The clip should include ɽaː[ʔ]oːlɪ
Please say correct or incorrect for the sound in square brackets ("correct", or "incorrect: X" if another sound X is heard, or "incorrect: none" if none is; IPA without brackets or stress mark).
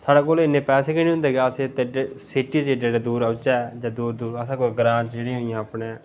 incorrect: k